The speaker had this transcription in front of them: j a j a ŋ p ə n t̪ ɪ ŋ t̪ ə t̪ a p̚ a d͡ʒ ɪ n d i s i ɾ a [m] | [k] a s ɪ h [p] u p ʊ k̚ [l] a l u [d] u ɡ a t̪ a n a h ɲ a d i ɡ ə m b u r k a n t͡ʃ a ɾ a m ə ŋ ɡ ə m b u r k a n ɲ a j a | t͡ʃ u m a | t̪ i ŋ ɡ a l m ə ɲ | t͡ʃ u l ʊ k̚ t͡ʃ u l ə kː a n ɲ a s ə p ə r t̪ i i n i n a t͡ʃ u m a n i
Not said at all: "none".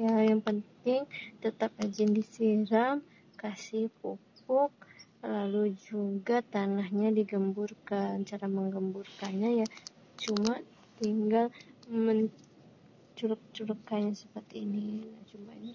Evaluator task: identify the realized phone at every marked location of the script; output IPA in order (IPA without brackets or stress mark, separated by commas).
m, k, p, l, d͡ʒ